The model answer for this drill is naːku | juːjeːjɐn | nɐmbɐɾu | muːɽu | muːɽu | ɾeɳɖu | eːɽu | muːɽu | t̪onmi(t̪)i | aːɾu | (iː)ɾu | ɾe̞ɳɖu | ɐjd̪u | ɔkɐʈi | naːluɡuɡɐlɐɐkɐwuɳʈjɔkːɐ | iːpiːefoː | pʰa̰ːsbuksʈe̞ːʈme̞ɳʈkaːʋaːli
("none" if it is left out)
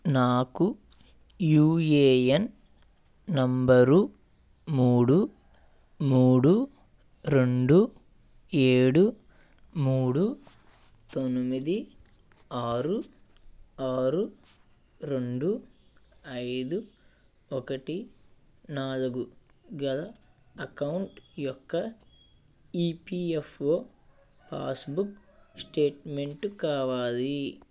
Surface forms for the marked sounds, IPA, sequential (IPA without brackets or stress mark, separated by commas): d̪, aː